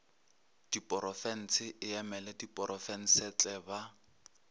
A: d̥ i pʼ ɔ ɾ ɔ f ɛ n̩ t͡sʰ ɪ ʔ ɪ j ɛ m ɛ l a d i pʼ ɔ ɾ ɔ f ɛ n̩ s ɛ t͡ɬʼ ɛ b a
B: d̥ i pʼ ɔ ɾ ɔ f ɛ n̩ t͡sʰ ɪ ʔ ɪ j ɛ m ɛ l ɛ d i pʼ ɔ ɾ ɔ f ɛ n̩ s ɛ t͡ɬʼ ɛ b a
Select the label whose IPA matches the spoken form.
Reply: B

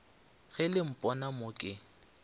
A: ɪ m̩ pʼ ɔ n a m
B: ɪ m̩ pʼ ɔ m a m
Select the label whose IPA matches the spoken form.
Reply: A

